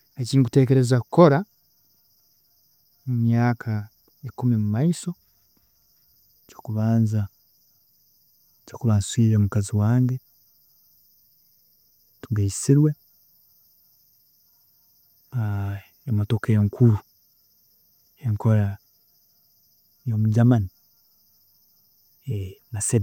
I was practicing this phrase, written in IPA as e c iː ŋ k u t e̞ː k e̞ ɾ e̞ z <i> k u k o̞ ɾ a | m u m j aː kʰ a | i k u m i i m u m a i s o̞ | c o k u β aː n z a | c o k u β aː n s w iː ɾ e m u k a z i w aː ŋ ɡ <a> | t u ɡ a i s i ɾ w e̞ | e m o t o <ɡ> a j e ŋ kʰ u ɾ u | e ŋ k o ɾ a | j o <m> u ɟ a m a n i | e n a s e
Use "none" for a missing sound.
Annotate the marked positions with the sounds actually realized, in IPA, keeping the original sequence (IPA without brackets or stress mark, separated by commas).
a, e, k, m